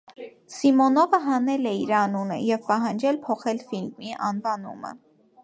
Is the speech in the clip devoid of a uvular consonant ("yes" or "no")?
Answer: no